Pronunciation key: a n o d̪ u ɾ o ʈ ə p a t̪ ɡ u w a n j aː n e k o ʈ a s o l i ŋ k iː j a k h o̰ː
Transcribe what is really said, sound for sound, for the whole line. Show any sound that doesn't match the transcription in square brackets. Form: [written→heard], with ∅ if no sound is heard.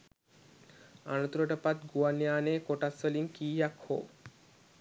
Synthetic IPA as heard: a n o [d̪→t̪] u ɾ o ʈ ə p a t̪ ɡ u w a n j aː n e k o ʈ a s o l i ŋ k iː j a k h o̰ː